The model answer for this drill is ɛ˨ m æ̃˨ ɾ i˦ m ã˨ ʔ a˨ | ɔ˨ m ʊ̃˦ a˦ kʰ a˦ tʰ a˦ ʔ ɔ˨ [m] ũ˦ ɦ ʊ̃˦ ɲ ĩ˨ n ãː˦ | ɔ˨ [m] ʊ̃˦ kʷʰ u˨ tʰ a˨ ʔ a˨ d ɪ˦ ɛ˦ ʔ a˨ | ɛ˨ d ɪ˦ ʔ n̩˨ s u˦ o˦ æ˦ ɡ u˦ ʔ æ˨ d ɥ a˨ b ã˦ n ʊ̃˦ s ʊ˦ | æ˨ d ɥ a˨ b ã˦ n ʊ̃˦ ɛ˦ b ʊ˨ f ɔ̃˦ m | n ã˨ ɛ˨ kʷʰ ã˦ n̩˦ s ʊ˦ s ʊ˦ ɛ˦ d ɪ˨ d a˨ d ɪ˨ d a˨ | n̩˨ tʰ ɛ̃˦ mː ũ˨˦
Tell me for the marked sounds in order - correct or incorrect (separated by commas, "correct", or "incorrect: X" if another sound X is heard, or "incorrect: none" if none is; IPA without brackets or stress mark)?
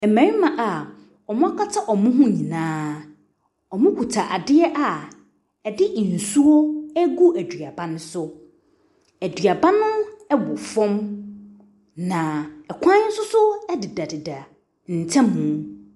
correct, correct